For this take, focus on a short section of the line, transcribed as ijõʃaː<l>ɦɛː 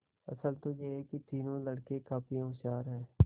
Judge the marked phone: incorrect: ɾ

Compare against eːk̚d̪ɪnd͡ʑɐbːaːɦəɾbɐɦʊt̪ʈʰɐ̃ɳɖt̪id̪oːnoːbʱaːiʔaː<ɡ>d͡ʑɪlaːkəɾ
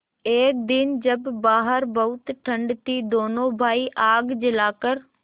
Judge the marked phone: correct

